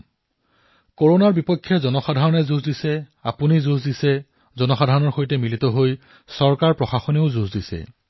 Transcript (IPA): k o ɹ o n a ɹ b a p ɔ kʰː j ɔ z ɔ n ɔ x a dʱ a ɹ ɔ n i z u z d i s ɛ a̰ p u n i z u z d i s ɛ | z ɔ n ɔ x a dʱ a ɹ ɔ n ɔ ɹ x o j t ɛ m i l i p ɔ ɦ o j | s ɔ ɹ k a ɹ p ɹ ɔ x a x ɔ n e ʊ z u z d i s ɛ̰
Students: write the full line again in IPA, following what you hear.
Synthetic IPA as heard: k o ɹ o n a ɹ b i p ɔ kʰː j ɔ z ɔ n ɔ x a dʱ a ɹ ɔ n ɛ z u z d i s ɛ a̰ p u n i z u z d i s ɛ | z ɔ n ɔ x a dʱ a ɹ ɔ n ɔ ɹ x o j t ɛ m i l i t ɔ ɦ o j | s ɔ ɹ k a ɹ p ɹ ɔ x a x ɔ n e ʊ z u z d i s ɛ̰